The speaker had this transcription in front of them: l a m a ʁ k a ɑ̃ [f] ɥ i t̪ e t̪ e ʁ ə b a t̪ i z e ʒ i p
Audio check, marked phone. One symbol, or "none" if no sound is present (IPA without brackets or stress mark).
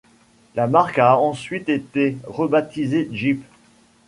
s